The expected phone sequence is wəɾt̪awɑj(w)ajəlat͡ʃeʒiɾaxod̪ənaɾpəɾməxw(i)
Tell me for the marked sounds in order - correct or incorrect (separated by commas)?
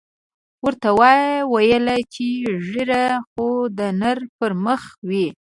correct, correct